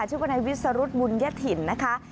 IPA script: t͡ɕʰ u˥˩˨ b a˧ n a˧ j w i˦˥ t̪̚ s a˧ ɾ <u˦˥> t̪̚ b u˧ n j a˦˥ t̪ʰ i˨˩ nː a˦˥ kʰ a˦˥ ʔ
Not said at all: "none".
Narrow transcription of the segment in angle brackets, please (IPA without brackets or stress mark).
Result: u˦˥